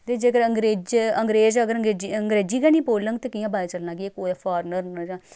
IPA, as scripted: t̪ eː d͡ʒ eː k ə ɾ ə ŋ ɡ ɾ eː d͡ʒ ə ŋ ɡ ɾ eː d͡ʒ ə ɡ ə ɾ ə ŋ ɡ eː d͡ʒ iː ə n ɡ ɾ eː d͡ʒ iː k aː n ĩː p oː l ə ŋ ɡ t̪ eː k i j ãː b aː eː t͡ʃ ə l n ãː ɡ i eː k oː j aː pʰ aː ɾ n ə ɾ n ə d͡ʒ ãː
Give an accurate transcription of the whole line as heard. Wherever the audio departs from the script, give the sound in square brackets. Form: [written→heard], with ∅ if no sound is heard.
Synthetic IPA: t̪ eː d͡ʒ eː k ə ɾ ə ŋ ɡ ɾ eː d͡ʒ ə ŋ ɡ ɾ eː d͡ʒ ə ɡ ə ɾ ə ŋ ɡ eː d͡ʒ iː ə [n→ŋ] ɡ ɾ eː d͡ʒ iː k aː n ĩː p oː l ə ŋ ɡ t̪ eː k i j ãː b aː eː t͡ʃ ə l n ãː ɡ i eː k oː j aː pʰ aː ɾ n ə ɾ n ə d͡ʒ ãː